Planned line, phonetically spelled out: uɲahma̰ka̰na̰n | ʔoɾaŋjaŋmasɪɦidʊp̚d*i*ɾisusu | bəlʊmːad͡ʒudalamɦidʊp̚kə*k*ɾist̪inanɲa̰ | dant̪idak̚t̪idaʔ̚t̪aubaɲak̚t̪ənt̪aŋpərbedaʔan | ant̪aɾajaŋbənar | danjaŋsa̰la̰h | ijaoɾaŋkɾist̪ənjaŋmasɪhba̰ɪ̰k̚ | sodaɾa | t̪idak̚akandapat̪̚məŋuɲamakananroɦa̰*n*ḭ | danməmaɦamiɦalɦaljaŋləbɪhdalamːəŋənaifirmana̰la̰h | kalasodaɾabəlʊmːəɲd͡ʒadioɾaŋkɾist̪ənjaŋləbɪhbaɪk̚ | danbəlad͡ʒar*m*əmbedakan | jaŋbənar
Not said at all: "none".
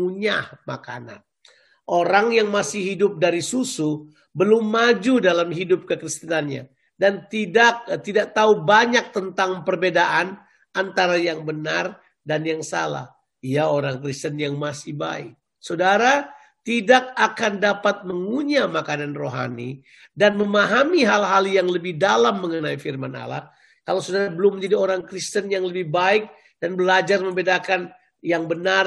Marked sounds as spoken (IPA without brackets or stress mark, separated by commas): a, k, n, m